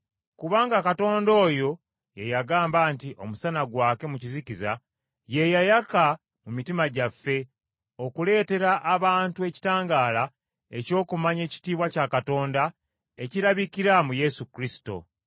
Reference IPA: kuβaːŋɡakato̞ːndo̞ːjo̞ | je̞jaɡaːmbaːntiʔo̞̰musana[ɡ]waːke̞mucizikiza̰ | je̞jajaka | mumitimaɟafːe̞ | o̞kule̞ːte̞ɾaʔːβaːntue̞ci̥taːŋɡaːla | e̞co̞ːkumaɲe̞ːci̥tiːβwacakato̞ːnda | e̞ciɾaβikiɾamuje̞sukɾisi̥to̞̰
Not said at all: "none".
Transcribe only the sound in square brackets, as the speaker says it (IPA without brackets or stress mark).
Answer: ɡ